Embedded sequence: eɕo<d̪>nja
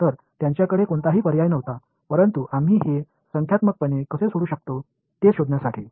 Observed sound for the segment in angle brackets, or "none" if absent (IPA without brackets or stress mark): d̪